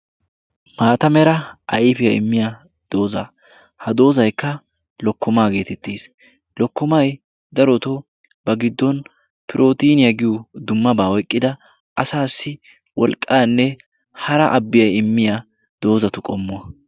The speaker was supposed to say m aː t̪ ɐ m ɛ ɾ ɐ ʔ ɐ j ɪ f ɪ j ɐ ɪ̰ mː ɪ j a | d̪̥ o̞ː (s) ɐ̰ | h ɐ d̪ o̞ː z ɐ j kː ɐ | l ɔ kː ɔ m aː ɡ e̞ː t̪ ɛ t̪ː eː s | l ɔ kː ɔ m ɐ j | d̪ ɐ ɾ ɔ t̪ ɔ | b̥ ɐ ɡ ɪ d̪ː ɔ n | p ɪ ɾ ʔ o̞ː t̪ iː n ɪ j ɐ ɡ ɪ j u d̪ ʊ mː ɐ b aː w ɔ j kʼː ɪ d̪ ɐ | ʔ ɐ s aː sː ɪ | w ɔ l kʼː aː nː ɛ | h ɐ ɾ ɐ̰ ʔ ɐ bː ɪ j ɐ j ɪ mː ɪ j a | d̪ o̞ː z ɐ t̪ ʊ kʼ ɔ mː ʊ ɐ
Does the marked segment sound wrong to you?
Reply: yes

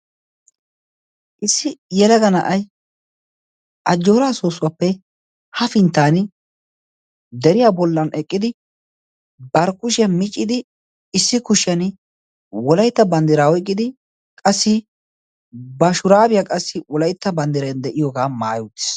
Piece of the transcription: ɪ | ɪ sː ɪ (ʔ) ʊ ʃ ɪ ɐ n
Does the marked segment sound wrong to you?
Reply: yes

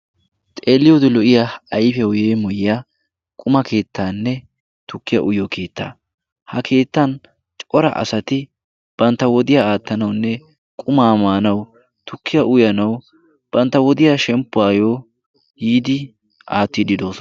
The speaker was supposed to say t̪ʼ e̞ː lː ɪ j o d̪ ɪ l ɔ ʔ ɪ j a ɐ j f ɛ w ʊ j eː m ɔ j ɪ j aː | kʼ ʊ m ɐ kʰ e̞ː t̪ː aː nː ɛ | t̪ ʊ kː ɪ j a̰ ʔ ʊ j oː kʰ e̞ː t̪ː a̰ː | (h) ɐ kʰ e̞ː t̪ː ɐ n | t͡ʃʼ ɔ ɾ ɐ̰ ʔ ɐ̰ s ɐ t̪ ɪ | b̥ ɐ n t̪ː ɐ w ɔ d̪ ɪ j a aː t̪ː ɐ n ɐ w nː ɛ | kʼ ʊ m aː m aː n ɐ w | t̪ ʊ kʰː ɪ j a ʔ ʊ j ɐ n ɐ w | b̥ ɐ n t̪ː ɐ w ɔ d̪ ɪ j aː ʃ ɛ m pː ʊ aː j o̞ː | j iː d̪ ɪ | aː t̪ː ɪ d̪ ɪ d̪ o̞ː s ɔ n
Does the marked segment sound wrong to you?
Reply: no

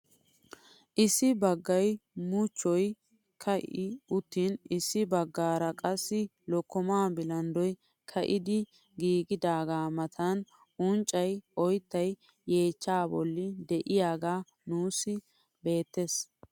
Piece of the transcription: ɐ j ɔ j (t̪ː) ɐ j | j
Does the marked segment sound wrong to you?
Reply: no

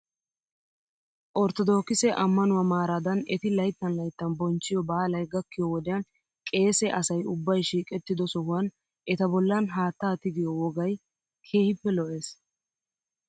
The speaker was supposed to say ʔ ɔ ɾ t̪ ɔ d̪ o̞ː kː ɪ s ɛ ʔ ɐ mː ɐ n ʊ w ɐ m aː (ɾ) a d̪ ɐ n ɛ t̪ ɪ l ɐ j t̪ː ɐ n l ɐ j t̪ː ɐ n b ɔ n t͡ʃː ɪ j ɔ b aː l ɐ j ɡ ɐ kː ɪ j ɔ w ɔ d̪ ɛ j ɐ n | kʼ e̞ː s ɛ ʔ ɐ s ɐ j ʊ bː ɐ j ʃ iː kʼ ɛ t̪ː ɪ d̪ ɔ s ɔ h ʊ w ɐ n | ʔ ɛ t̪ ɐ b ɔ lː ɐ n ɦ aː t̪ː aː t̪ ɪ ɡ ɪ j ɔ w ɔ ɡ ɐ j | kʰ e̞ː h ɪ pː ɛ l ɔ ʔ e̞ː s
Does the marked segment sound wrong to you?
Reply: no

